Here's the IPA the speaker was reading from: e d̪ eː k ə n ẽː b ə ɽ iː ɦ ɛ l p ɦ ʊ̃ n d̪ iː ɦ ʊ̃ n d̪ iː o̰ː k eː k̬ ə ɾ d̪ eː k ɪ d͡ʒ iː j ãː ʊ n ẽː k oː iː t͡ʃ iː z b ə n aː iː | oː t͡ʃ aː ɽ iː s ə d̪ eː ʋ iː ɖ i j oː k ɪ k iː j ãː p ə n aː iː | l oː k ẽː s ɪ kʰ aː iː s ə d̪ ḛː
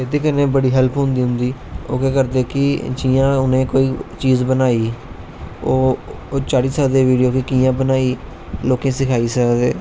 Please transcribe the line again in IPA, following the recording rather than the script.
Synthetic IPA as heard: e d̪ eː k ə n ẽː b ə ɽ iː ɦ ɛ l p ɦ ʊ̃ n d̪ iː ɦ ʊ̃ n d̪ iː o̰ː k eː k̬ ə ɾ d̪ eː k ɪ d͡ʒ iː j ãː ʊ n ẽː k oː iː t͡ʃ iː z b ə n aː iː | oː t͡ʃ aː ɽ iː s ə d̪ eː ʋ iː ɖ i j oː k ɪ k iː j ãː b ə n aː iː | l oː k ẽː s ɪ kʰ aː iː s ə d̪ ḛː